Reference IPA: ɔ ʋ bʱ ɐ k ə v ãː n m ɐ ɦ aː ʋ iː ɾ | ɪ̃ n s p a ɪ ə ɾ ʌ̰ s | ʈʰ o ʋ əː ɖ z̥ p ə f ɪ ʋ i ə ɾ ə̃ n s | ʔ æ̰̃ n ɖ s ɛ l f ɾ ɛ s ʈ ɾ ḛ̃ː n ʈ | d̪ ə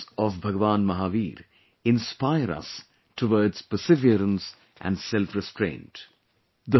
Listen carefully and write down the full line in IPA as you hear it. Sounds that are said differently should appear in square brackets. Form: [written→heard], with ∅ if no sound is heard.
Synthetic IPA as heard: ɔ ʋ bʱ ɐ [k→ɡ] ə [v→ʋ] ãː n m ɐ ɦ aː ʋ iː ɾ | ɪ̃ n s p a ɪ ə ɾ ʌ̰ s | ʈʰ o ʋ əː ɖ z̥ p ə [f→s] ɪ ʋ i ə ɾ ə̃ n s | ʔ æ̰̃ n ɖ s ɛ l f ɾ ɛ s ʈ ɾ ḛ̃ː n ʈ | d̪ ə